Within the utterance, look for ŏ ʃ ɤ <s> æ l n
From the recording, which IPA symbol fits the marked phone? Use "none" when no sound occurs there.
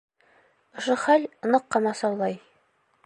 χ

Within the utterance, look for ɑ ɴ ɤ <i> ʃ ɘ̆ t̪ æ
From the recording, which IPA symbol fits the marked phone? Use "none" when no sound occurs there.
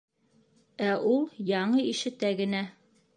i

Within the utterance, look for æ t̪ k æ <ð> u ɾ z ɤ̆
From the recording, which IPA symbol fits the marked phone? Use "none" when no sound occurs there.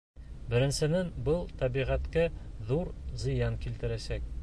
ð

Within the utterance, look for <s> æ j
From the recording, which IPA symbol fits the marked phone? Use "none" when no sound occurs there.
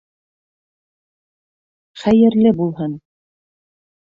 χ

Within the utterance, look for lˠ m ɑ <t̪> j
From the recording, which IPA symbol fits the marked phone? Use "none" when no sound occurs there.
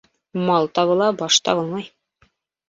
none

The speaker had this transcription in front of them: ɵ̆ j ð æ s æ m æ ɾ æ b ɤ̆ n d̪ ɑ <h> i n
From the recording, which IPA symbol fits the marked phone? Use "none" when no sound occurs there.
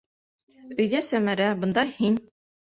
h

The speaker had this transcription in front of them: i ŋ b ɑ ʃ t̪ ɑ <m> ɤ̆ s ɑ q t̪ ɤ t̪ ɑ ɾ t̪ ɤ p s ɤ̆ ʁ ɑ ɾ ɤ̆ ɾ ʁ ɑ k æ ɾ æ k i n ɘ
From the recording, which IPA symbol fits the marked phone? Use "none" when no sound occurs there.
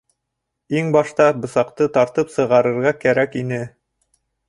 b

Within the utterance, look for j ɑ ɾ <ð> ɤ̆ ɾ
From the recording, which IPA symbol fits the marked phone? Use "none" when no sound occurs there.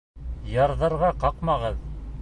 ð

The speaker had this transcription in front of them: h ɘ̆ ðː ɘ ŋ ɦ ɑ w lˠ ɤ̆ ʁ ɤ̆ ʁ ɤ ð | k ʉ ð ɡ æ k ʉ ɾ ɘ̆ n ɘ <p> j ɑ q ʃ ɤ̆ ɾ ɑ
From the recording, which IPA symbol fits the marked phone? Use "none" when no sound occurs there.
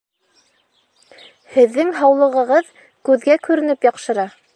p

